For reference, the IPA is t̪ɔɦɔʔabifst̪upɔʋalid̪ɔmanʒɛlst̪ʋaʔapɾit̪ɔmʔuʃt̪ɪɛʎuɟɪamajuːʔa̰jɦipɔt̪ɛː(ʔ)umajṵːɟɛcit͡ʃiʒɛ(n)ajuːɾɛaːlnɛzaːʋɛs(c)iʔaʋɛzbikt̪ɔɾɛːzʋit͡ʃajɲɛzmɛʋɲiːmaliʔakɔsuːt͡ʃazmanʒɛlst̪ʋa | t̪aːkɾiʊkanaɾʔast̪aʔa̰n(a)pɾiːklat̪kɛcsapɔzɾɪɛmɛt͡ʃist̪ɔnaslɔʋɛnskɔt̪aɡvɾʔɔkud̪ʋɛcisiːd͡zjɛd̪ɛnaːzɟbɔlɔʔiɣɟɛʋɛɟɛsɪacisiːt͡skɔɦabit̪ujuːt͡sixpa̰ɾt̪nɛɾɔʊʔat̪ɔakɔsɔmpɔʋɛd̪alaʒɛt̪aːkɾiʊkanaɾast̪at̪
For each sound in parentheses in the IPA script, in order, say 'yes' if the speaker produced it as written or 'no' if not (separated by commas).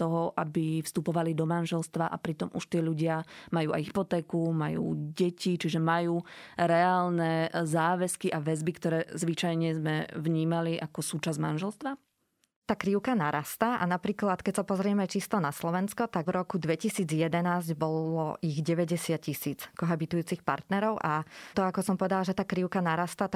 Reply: no, no, no, yes